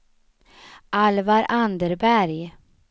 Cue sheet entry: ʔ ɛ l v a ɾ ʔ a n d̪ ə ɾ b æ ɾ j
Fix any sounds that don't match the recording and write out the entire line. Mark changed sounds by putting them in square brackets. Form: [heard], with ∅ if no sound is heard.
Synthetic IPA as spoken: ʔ [a] l v a ɾ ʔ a n d̪ ə ɾ b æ ɾ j